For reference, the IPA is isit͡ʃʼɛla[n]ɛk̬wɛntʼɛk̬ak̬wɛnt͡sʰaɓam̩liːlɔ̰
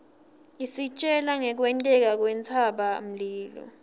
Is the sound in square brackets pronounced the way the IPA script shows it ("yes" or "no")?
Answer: no